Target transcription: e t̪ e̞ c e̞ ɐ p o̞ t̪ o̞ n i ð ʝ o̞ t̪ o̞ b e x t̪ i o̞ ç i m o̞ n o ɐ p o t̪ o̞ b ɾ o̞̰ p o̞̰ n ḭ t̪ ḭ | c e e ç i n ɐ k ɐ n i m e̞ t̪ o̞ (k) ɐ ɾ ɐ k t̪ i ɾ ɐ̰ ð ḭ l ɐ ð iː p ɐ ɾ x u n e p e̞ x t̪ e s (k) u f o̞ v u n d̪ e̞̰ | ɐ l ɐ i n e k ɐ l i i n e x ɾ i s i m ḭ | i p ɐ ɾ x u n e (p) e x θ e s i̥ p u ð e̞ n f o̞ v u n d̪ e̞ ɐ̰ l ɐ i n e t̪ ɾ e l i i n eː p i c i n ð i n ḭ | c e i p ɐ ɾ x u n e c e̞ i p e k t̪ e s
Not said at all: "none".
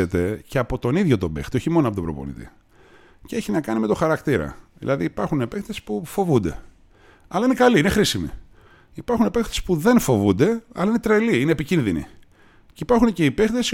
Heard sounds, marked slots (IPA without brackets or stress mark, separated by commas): x, p, p